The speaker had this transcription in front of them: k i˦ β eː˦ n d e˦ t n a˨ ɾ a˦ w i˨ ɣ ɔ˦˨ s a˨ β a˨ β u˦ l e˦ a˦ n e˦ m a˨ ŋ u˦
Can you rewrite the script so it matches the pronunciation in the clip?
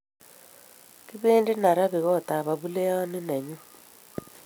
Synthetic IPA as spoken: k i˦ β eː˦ n d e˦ n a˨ ɾ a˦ β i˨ ɣ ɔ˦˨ t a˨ β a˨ β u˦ l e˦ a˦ n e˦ n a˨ ɲ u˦